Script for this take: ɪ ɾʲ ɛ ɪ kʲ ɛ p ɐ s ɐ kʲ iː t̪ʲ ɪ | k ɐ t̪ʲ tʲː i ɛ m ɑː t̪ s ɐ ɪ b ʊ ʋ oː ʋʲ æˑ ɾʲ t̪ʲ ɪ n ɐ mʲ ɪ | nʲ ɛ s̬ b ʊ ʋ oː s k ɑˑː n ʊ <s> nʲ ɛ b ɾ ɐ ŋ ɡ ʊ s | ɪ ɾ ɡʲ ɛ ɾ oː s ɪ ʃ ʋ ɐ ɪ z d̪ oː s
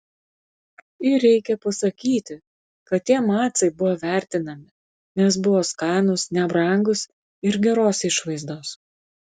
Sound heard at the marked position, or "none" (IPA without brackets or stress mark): s